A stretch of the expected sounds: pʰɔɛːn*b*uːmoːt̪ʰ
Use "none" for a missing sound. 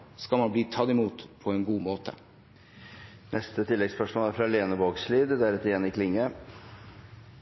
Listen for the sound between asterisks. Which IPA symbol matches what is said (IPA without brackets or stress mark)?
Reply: ɡ